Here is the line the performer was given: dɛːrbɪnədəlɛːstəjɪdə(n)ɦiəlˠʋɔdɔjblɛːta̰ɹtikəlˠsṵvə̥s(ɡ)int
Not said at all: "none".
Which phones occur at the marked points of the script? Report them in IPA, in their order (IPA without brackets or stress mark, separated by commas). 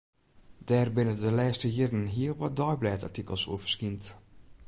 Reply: n, k